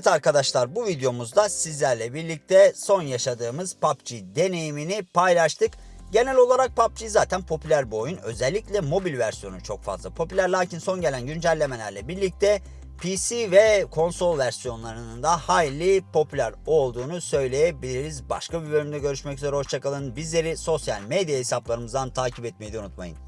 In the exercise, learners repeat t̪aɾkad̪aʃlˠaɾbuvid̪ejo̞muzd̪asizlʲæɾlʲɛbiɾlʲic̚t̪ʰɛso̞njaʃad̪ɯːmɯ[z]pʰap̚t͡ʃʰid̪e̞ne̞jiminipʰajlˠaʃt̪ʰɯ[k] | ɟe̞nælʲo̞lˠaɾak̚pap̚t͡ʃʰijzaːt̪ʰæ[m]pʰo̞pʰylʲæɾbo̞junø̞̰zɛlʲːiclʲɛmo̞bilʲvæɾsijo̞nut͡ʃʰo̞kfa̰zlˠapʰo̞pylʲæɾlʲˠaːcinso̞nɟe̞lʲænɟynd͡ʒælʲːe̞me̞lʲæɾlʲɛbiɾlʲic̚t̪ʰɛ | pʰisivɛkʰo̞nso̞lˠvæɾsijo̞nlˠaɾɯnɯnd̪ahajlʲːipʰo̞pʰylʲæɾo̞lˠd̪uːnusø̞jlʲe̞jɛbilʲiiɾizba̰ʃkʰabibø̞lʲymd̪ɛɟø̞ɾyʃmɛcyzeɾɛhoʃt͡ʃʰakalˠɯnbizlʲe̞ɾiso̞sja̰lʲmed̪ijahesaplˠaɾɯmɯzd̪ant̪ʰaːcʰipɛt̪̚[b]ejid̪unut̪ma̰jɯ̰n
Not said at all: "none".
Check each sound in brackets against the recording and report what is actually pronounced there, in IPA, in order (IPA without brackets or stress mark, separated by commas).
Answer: z, k, n, m